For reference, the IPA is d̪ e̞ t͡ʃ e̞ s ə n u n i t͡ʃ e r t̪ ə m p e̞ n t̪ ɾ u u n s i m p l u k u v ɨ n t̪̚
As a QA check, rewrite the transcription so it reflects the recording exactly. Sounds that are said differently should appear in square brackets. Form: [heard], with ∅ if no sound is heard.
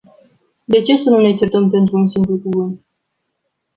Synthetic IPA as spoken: d̪ e̞ t͡ʃ e̞ s ə n u n [e] t͡ʃ e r t̪ ə m p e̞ n t̪ ɾ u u n s i m p l u k u v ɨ n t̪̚